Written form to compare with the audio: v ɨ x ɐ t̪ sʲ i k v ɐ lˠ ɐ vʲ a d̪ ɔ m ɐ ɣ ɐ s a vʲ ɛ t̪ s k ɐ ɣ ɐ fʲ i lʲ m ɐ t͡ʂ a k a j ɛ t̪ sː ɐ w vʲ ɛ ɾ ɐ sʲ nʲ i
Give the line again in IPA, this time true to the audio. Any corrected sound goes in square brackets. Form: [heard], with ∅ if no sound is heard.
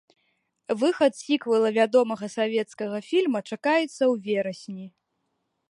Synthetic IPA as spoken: v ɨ x ɐ t̪ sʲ i k v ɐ lˠ ɐ vʲ a d̪ ɔ m ɐ ɣ ɐ s a vʲ ɛ t̪ s k ɐ ɣ ɐ fʲ i lʲ m ɐ t͡ʂ a k a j ɛ t̪ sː ɐ w vʲ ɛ ɾ ɐ sʲ nʲ i